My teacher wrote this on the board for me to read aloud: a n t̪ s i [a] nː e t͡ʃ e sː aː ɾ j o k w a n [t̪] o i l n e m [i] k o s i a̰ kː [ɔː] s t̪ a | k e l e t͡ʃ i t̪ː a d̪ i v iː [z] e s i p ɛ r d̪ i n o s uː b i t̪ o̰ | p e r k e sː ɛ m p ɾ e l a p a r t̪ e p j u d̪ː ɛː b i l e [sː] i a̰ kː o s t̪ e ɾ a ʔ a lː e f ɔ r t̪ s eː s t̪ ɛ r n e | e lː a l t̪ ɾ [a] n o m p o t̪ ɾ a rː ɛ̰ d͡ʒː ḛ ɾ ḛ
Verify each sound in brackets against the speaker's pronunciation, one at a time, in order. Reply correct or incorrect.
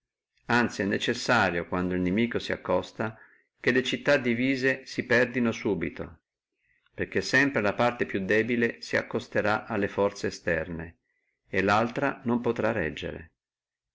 incorrect: ɛ, incorrect: d̪, incorrect: iː, incorrect: ɔ, correct, incorrect: s, correct

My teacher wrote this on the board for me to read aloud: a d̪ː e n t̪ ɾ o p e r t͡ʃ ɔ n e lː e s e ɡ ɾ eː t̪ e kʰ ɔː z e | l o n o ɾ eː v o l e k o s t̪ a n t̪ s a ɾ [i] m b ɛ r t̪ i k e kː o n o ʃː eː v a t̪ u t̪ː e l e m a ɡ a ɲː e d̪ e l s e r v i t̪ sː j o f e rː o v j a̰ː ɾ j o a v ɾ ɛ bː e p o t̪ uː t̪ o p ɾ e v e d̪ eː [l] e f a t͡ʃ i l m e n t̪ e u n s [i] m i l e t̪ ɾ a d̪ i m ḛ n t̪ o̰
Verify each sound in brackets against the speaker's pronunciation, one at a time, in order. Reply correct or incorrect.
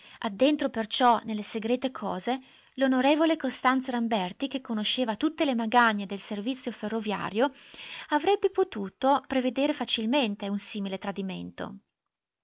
incorrect: a, incorrect: ɾ, incorrect: iː

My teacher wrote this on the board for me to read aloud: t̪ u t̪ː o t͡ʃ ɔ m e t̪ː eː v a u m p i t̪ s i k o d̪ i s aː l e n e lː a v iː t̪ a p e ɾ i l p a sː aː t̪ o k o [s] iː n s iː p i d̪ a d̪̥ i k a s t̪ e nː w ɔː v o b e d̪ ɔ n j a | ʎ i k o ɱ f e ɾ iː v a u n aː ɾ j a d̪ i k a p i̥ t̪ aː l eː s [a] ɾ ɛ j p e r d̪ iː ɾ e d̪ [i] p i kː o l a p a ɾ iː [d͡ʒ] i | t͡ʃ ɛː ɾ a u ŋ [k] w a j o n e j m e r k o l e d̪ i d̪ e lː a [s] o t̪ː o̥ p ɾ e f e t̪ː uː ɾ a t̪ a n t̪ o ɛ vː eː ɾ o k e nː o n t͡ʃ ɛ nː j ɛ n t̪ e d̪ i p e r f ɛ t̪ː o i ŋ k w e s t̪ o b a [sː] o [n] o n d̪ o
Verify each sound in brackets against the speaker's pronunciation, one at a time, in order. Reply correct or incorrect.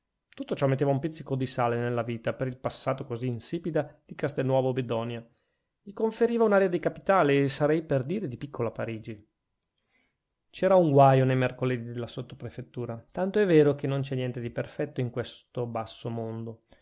incorrect: z, correct, correct, correct, incorrect: ɡ, correct, correct, incorrect: m

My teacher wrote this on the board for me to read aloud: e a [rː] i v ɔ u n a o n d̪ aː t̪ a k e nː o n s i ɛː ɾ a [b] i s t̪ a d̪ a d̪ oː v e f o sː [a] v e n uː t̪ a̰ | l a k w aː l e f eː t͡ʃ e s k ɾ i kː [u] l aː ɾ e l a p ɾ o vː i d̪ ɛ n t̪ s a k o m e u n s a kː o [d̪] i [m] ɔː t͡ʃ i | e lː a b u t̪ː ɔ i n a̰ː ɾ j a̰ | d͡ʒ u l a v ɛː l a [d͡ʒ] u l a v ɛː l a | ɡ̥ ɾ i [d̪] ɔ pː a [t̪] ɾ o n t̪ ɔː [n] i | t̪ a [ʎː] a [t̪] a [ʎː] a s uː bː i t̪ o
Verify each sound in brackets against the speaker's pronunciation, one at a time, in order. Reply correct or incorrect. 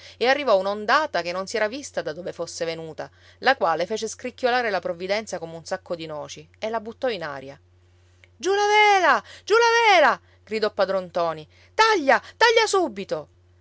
correct, incorrect: v, incorrect: e, incorrect: o, correct, incorrect: n, correct, correct, incorrect: d̪, correct, correct, correct, correct

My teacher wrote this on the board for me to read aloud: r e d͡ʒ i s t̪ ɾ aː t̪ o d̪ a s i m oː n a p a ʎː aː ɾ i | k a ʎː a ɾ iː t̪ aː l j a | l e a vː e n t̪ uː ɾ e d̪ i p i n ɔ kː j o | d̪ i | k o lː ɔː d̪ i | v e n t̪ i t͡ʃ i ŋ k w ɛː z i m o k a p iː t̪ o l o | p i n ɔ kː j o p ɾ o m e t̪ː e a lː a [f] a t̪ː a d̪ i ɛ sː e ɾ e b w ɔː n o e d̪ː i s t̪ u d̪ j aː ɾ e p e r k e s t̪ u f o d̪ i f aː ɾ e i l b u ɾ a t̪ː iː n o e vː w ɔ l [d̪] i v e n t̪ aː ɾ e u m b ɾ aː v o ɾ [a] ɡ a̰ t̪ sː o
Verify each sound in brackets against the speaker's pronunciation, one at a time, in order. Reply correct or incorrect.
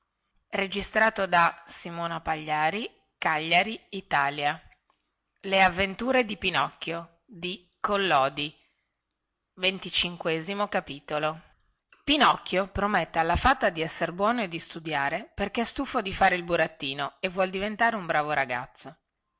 correct, correct, correct

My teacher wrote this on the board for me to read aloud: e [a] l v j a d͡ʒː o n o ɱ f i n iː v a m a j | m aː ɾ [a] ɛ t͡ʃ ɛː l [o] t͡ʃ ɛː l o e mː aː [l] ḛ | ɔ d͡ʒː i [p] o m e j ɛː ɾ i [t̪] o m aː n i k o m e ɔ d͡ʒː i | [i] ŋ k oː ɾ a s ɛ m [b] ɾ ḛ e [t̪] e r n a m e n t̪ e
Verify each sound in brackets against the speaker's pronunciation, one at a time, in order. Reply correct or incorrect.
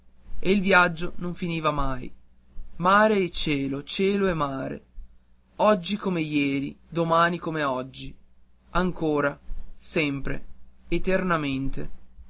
incorrect: i, incorrect: e, correct, incorrect: ɾ, incorrect: k, incorrect: d̪, incorrect: a, incorrect: p, correct

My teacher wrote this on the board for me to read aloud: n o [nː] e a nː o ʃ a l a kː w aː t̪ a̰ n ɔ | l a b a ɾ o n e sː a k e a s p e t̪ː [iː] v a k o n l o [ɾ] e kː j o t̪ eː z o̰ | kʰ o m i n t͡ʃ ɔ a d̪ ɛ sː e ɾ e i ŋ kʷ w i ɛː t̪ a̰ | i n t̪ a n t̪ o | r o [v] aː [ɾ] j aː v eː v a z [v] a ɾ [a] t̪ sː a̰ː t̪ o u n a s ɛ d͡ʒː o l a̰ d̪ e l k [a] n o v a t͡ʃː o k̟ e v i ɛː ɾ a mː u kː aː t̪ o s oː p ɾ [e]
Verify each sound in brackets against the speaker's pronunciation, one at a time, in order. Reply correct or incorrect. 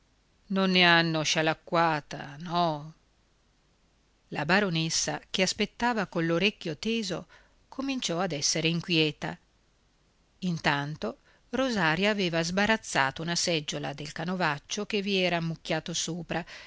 correct, incorrect: aː, correct, incorrect: z, correct, incorrect: b, correct, correct, incorrect: a

